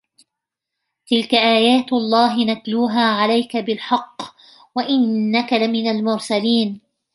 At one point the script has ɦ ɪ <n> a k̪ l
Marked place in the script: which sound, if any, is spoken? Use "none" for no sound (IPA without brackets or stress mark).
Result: n